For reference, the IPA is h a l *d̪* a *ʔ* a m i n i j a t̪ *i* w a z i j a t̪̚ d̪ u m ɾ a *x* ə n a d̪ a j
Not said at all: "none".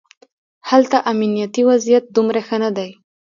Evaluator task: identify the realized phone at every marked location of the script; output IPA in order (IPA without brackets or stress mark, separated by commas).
t̪, ʔ, i, x